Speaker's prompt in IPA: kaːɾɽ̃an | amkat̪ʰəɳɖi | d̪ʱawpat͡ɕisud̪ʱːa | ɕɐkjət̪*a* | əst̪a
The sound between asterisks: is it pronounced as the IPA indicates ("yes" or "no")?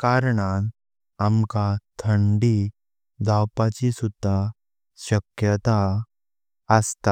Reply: yes